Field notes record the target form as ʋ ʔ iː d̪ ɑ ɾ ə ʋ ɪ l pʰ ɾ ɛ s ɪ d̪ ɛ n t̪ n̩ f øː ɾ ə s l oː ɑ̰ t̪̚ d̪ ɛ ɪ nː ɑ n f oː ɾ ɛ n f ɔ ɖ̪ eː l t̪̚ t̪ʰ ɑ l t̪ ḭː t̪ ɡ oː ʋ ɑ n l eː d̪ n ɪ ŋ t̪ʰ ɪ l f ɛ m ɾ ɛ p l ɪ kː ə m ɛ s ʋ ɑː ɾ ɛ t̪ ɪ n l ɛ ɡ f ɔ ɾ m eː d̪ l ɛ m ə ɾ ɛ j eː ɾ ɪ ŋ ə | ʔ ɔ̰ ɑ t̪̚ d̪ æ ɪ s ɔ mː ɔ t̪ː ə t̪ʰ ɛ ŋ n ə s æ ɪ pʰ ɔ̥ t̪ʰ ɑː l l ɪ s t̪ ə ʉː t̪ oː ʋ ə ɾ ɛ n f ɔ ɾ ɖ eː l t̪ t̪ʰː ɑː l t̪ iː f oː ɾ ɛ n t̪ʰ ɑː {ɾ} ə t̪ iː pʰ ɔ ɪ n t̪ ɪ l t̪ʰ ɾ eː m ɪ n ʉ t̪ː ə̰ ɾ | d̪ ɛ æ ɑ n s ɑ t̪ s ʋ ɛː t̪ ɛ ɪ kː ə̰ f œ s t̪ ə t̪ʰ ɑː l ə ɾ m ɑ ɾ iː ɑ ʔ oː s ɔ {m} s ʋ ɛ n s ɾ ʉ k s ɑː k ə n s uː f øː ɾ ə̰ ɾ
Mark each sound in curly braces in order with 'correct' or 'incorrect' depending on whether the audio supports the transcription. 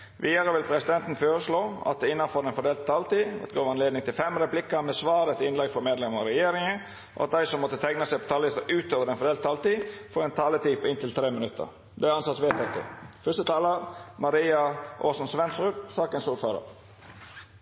incorrect, incorrect

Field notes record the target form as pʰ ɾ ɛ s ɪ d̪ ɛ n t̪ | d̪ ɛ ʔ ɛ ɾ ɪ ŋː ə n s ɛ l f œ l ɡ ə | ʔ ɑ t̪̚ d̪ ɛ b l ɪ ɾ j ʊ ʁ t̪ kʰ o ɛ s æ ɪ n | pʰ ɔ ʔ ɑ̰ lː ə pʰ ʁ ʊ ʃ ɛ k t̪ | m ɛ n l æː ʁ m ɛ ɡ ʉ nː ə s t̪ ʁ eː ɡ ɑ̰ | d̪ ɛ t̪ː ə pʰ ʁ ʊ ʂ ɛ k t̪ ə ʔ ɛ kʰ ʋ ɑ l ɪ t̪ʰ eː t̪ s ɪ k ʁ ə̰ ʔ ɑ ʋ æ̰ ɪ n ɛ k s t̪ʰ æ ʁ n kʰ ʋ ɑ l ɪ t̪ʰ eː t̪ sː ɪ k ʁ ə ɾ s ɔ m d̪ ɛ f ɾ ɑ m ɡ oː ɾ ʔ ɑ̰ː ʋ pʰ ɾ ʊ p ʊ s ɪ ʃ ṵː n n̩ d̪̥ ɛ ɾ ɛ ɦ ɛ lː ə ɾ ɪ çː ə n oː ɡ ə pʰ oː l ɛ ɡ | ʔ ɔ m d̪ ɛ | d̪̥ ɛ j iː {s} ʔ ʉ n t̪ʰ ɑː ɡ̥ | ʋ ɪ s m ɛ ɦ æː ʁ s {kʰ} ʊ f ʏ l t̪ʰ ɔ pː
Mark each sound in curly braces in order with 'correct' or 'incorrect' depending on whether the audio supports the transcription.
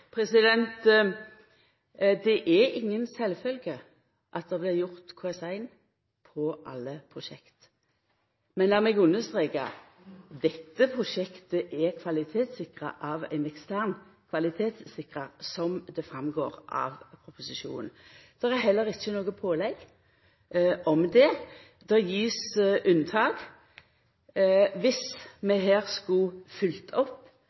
correct, incorrect

